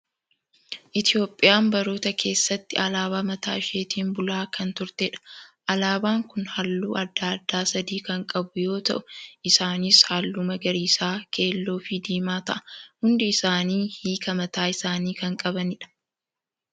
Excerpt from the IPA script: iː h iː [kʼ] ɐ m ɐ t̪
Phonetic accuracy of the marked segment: incorrect: k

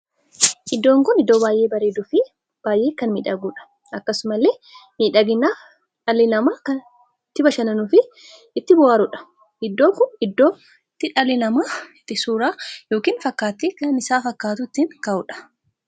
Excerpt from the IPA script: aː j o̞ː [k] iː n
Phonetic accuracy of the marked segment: correct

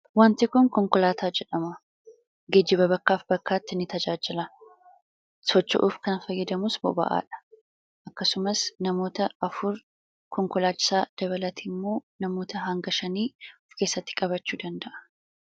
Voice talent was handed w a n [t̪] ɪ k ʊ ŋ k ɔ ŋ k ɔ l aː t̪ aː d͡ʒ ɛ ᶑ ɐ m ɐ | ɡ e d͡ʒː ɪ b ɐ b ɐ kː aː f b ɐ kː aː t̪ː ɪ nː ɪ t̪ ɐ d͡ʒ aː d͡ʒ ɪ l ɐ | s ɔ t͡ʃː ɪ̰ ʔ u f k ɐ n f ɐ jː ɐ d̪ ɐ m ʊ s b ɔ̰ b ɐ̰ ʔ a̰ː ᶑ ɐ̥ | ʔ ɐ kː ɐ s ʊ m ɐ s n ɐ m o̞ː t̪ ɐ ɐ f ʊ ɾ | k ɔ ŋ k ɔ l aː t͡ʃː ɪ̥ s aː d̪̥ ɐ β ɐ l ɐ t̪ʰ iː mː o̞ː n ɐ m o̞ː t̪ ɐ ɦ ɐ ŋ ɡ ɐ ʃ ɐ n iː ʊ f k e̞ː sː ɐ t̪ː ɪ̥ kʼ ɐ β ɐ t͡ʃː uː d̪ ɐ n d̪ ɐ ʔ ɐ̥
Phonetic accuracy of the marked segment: correct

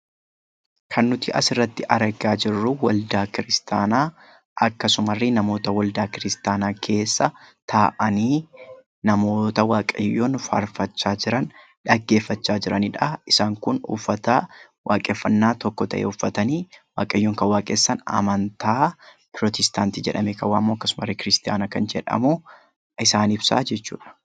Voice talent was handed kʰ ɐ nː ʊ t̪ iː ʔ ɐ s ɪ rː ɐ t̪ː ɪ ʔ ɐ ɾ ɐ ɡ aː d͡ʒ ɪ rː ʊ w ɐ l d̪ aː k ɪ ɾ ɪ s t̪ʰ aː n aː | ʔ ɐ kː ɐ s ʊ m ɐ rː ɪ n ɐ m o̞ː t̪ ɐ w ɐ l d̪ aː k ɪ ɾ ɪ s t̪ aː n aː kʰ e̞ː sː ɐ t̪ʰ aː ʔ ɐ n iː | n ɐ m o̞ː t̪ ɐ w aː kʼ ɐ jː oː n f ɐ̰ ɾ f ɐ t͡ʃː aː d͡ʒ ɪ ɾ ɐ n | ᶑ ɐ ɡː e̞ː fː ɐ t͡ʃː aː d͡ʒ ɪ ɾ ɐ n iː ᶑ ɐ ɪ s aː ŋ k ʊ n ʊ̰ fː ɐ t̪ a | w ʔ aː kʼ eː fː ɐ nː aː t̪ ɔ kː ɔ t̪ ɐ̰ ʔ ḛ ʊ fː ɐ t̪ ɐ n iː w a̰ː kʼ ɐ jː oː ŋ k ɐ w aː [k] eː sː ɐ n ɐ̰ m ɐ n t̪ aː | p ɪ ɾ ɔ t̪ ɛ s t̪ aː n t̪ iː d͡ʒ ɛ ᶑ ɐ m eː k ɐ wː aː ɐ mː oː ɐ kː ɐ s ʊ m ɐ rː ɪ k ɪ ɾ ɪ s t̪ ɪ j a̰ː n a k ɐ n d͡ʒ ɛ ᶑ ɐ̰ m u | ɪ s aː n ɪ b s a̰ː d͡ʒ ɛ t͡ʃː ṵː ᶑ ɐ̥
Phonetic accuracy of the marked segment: incorrect: kʼ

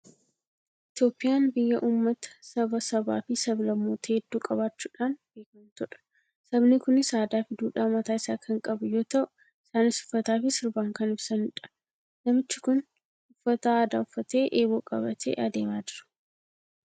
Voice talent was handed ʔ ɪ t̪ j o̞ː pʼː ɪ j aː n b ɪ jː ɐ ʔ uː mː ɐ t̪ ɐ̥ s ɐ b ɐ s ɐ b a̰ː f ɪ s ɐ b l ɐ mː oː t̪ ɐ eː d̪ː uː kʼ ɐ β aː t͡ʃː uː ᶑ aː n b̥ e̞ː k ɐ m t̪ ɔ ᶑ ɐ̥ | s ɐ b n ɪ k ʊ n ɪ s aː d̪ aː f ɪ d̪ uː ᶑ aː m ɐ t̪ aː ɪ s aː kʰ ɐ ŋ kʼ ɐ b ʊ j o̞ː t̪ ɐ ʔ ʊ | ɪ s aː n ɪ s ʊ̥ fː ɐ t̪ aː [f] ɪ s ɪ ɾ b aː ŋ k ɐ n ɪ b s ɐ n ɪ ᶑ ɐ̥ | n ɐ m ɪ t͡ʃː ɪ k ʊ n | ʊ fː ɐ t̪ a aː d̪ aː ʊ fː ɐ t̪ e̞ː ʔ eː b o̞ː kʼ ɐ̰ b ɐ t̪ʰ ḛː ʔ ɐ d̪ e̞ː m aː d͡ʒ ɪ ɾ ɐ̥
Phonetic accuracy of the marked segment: correct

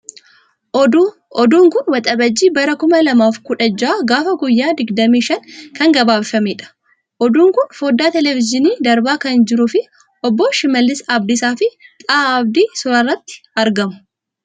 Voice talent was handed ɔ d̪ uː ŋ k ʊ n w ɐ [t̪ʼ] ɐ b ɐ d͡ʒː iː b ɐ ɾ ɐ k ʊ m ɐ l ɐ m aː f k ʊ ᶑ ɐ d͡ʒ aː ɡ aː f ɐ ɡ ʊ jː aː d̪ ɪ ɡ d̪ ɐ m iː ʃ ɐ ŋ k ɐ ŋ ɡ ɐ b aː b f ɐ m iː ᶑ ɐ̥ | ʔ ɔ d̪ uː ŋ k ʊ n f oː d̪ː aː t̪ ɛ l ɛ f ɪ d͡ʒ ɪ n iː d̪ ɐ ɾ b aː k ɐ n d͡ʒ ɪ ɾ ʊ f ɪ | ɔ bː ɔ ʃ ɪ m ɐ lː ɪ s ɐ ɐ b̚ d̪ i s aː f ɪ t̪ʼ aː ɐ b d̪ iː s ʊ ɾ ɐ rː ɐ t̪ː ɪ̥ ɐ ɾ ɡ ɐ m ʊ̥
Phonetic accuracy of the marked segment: correct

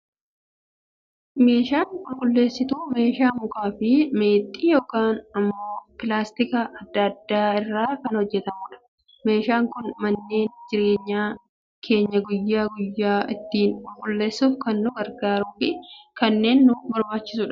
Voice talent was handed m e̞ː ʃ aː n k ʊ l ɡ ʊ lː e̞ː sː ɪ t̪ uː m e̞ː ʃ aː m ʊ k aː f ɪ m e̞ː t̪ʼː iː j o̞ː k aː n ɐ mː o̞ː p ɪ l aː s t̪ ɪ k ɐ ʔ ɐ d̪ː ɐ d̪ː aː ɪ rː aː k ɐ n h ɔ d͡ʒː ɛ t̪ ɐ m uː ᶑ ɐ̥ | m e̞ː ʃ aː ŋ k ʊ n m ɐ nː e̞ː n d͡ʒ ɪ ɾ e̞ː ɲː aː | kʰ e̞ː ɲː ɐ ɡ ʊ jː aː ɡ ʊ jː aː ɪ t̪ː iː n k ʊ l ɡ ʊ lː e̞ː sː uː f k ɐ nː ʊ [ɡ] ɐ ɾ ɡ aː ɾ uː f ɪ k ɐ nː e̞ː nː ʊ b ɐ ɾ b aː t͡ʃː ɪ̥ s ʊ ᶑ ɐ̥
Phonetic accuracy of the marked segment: correct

